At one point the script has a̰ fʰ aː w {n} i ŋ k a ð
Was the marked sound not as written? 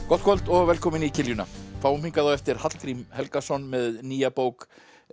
yes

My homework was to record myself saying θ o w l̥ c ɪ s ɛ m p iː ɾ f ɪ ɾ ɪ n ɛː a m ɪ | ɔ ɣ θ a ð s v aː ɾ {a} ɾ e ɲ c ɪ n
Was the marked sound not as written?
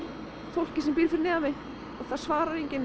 no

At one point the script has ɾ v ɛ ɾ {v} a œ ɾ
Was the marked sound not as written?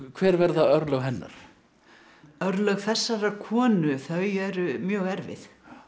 yes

